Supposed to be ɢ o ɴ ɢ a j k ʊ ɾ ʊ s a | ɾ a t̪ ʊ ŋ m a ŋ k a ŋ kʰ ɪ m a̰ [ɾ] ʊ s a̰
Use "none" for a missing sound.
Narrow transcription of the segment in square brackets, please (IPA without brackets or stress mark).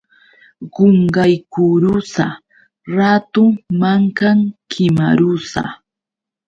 ɾ